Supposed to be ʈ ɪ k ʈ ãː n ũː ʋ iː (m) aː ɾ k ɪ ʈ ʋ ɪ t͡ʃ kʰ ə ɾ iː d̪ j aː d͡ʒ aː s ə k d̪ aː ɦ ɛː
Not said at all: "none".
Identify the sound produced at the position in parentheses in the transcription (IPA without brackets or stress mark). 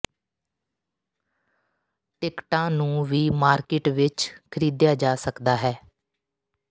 m